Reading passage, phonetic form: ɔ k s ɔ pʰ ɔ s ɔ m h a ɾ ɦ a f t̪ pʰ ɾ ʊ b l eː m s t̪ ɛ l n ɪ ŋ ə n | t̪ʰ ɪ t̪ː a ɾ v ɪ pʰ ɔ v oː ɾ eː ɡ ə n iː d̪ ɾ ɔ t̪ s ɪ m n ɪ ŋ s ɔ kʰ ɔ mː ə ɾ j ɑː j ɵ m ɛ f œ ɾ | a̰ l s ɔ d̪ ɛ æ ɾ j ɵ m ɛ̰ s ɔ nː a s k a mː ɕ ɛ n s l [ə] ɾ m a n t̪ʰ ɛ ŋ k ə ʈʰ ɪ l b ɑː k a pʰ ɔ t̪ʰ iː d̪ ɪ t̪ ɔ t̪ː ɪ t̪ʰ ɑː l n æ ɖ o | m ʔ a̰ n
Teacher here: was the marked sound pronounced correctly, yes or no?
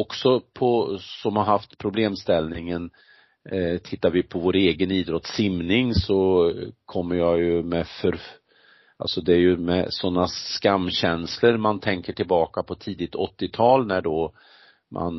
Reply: yes